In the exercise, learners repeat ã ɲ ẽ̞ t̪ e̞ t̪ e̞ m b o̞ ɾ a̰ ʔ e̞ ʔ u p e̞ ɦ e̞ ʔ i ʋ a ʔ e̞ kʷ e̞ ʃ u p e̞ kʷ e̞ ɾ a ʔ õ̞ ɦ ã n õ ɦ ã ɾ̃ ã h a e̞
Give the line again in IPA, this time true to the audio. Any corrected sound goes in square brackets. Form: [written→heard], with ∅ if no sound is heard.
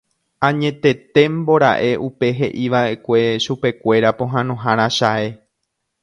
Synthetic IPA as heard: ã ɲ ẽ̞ t̪ e̞ t̪ e̞ m b o̞ ɾ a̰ ʔ e̞ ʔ u p e̞ ɦ e̞ ʔ i ʋ a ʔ e̞ kʷ e̞ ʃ u p e̞ kʷ e̞ ɾ a [ʔ→p] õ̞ ɦ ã n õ ɦ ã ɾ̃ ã [h→ʃ] a e̞